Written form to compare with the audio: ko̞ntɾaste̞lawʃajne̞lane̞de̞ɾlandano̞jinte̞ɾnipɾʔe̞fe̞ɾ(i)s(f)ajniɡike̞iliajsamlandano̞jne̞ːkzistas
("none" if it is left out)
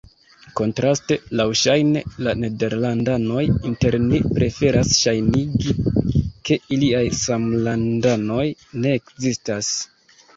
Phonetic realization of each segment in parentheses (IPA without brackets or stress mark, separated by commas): a, ʃ